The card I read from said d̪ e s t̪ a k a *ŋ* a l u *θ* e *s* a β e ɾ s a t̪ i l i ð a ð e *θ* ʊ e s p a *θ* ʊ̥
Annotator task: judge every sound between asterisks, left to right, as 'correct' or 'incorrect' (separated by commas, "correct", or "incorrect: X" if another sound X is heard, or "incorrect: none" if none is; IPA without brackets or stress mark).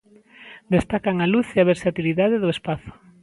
correct, correct, incorrect: none, incorrect: ð, correct